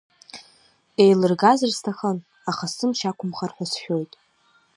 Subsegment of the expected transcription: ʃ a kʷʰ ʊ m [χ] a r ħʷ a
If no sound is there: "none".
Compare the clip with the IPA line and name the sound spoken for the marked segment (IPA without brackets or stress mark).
χ